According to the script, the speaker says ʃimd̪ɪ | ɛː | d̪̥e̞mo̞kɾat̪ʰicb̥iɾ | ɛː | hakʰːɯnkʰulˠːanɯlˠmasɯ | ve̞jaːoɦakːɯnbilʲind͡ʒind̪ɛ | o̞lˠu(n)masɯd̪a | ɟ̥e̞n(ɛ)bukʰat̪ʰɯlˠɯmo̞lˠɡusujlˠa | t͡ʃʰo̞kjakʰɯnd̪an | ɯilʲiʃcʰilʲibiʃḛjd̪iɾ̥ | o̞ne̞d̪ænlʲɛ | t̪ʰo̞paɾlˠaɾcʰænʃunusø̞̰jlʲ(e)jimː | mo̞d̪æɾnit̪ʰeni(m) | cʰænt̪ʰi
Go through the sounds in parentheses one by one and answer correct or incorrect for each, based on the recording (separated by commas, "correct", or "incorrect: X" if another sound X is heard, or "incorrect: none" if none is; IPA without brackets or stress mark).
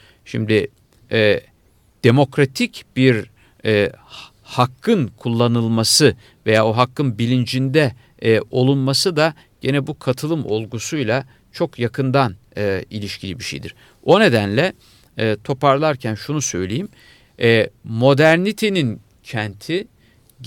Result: correct, correct, correct, incorrect: n